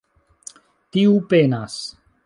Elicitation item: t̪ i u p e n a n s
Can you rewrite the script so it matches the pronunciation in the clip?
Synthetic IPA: t̪ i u p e n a s

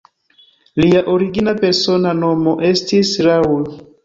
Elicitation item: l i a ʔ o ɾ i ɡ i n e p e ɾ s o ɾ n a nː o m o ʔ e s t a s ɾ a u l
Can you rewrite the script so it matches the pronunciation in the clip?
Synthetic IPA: l i a ʔ o ɾ i ɡ i n a p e ɾ s o n a n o m o ʔ e s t i s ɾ a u l

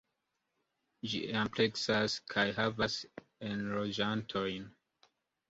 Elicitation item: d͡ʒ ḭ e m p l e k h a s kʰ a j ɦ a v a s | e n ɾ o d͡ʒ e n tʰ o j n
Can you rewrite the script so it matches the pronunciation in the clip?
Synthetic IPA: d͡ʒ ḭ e m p l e k s a s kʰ a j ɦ a v a s | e n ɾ o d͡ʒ a n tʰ o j n

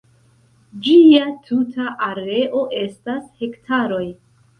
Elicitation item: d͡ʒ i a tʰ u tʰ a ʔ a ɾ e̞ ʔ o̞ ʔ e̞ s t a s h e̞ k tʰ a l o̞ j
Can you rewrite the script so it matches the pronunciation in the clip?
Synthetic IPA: d͡ʒ i a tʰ u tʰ a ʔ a ɾ e̞ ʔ o̞ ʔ e̞ s t a s h e̞ k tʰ a ɾ o̞ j

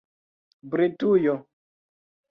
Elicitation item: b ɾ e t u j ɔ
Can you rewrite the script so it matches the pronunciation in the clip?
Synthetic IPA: b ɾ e t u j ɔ

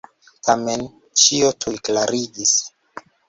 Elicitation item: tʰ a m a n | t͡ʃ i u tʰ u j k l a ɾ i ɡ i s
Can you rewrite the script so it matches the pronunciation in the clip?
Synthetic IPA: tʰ a m e n | t͡ʃ i o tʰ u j k l a ɾ i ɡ i s

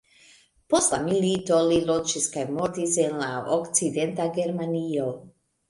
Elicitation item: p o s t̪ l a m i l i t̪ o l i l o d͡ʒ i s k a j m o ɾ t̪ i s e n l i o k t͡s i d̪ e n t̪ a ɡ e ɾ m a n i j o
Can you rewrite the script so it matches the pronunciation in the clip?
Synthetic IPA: p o s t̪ l a m i l i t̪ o l i l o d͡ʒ i s k a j m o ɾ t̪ i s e n l a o k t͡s i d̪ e n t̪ a ɡ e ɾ m a n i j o

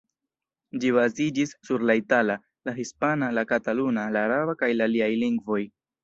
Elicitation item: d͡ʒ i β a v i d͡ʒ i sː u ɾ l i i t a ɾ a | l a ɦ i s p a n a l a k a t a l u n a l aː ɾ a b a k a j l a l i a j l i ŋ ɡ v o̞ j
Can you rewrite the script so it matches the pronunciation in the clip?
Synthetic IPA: d͡ʒ i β a z i d͡ʒ i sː u ɾ l a i t a l a | l a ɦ i s p a n a l a k a t a l u n a l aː ɾ a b a k a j l a l i a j l i ŋ ɡ v o̞ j

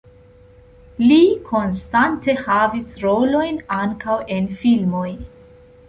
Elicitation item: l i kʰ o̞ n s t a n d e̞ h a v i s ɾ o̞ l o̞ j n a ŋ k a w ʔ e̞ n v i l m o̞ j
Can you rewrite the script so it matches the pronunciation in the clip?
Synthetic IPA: l i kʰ o̞ n s t a n t e̞ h a v i s ɾ o̞ l o̞ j n a ŋ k a w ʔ e̞ n f i l m o̞ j

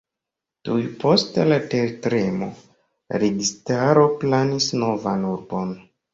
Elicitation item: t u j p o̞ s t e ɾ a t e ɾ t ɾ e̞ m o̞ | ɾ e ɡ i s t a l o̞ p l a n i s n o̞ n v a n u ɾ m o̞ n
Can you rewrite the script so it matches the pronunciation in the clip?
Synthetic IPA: t u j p o̞ s t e l a t e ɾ t ɾ e̞ m o̞ | ɾ e ɡ i s t a ɾ o̞ p l a n i s n o̞ v a n u ɾ b o̞ n

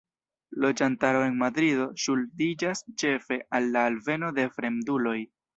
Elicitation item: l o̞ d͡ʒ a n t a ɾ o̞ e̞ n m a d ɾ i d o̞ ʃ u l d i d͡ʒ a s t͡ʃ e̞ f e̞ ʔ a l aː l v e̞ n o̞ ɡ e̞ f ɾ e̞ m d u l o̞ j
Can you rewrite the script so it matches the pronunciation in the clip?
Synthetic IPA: l o̞ d͡ʒ a n t a ɾ o̞ e̞ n m a d ɾ i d o̞ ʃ u l d i d͡ʒ a s t͡ʃ e̞ f e̞ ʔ a lː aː l v e̞ n o̞ d e̞ f ɾ e̞ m d u l o̞ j

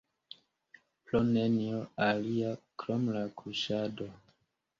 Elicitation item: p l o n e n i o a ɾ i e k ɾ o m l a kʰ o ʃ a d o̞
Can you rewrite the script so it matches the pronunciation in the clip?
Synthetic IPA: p l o n e n i o a l i a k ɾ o m l a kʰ u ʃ a d o̞

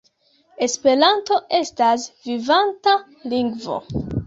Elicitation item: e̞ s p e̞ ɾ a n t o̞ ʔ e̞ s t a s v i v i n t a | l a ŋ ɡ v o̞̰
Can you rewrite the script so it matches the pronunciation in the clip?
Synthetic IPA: e̞ s p e̞ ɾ a n t o̞ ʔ e̞ s t a s v i v a n t a | l i ŋ ɡ v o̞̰

